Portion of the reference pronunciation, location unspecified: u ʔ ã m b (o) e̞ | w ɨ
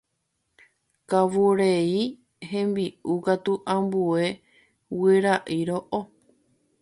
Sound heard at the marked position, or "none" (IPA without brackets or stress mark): u